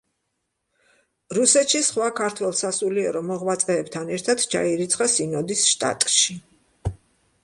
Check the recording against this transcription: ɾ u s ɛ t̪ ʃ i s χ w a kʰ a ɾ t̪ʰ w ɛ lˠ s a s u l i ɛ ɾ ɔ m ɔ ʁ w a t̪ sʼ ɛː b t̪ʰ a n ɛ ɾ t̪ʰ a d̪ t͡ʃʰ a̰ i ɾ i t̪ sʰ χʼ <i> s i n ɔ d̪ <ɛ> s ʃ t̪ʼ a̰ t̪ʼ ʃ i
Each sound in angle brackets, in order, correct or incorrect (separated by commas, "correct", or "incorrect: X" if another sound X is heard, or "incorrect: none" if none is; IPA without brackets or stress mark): incorrect: a, incorrect: i